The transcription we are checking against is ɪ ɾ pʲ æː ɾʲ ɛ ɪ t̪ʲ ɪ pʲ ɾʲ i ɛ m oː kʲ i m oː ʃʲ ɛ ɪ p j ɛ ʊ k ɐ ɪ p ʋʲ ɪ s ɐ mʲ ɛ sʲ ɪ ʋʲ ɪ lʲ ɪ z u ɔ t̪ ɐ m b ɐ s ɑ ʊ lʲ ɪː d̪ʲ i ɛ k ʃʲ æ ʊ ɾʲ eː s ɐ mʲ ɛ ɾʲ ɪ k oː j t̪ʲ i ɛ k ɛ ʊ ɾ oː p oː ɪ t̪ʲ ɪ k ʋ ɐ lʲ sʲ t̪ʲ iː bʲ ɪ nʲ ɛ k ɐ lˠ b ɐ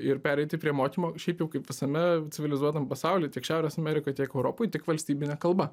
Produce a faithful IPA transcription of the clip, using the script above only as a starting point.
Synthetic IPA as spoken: ɪ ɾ pʲ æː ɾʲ ɛ ɪ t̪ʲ ɪ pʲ ɾʲ i ɛ m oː kʲ i m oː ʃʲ ɛ ɪ p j ɛ ʊ k ɐ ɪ p ʋʲ ɪ s ɐ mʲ ɛ t͡sʲ ɪ ʋʲ ɪ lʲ ɪ z u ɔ t̪ ɐ m p ɐ s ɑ ʊ lʲ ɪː t̪ʲ i ɛ k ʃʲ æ ʊ ɾʲ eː s ɐ mʲ ɛ ɾʲ ɪ k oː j t̪ʲ i ɛ k ɛ ʊ ɾ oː p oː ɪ t̪ʲ ɪ k ʋ ɐ lʲ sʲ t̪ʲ iː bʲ ɪ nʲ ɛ k ɐ lˠ b ɐ